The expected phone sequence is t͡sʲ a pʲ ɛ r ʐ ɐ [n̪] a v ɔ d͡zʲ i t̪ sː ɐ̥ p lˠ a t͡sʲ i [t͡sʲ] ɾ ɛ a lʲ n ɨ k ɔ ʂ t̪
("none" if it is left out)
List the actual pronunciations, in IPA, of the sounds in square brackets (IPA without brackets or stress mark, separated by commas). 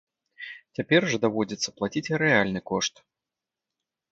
d̪, t͡sʲ